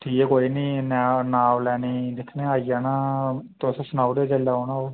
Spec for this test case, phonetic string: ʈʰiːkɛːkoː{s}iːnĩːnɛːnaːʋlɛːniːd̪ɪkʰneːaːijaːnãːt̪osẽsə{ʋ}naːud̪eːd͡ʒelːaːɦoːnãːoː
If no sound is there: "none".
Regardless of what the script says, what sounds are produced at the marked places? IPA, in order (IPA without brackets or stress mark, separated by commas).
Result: none, none